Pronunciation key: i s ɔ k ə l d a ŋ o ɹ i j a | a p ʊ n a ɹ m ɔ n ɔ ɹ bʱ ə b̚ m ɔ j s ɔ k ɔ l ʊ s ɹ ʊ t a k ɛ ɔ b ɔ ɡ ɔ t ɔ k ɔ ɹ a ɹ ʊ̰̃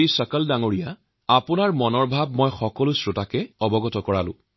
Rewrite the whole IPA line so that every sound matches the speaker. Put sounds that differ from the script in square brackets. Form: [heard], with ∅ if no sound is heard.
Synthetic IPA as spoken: i s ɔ k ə l d a ŋ o ɹ i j a | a p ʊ n a ɹ m ɔ n ɔ ɹ bʱ [a] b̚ m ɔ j [x] ɔ k ɔ l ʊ s ɹ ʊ t a k ɛ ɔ b ɔ ɡ ɔ t ɔ k ɔ ɹ a [l] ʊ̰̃